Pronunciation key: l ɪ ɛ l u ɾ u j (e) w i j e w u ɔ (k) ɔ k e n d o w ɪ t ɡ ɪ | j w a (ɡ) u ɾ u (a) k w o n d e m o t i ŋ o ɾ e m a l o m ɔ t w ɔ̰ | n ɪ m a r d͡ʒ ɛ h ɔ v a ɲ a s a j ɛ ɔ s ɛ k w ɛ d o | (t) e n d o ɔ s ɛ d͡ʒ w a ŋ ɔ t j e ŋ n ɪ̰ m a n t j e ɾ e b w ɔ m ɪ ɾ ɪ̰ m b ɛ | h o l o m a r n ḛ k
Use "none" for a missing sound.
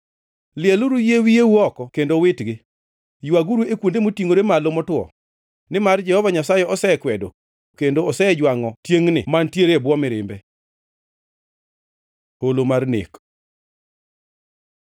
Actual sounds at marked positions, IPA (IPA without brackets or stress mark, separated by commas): e, k, ɡ, e, k